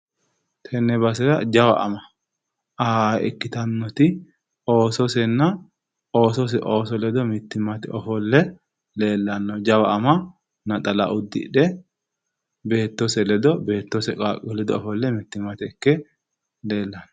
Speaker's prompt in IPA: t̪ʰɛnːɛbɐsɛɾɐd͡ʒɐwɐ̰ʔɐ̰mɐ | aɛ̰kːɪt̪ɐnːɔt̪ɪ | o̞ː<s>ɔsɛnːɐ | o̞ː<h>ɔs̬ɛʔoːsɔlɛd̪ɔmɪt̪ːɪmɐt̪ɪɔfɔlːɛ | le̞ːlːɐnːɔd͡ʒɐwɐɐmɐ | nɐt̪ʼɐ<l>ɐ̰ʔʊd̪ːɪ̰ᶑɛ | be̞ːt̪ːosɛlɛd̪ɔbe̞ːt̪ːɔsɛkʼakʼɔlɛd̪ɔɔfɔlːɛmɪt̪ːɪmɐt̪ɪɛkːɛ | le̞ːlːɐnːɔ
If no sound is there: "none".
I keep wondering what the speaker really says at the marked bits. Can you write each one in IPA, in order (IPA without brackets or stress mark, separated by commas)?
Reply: s, s, l